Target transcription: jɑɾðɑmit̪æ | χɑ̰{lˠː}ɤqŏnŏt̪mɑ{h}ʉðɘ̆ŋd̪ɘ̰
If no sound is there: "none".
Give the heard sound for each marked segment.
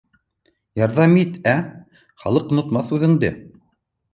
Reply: lˠ, θ

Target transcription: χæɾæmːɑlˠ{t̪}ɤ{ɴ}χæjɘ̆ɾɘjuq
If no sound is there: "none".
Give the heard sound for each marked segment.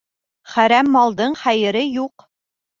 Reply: d̪, ɴ

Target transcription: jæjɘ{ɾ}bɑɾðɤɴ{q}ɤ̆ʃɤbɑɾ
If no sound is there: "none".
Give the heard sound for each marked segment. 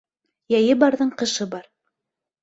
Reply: none, q

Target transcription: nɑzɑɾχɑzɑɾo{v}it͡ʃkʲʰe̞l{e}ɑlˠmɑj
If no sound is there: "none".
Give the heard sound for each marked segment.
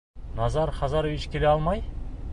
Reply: v, e

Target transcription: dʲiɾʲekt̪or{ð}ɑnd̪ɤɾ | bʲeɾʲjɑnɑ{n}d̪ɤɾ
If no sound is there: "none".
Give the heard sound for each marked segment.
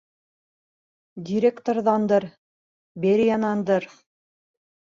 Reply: ð, n

